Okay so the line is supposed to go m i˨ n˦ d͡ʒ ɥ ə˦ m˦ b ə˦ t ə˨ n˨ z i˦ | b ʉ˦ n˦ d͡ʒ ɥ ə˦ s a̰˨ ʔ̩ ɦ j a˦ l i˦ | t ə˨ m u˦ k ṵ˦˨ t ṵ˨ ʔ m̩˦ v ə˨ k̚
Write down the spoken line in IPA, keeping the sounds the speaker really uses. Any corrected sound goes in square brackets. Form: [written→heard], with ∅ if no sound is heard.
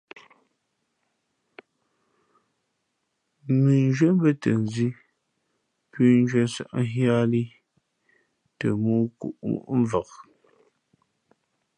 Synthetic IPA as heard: m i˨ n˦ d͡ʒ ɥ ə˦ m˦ b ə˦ t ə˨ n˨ z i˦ | [b→p] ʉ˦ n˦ d͡ʒ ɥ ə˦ s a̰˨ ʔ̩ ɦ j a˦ l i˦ | t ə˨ m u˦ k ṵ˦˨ [t→ʔ] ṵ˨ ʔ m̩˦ v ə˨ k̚